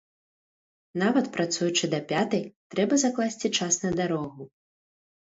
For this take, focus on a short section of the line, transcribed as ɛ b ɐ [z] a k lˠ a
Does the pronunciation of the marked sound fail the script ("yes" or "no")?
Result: no